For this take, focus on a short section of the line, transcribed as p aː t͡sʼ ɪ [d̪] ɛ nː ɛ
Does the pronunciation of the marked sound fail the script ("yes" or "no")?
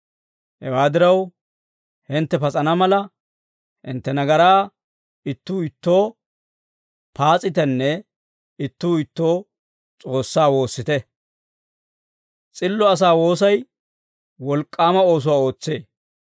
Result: yes